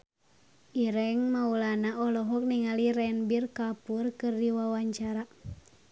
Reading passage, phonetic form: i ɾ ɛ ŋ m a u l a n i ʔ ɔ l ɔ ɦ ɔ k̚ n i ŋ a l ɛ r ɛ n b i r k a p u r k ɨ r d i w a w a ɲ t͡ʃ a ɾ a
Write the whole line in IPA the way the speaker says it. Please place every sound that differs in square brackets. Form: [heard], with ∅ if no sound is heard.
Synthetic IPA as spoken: i ɾ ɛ ŋ m a u l a n [a] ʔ ɔ l ɔ ɦ ɔ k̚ n i ŋ a l [i] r ɛ n b i r k a p u r k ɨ r d i w a w a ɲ t͡ʃ a ɾ a